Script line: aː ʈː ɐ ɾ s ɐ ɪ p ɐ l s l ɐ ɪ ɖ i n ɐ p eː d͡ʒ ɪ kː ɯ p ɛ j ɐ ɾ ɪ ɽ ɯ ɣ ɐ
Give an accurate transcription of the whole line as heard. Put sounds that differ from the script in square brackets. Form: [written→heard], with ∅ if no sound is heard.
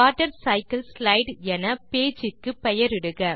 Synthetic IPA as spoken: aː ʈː ɐ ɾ s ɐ ɪ [p→k] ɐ l s l ɐ ɪ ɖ [i→ɛ] n ɐ p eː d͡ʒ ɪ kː ɯ p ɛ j ɐ ɾ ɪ ɽ ɯ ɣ ɐ